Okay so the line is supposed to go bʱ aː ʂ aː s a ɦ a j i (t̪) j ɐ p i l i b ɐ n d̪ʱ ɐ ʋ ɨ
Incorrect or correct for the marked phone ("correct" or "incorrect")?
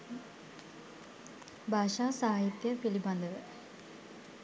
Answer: correct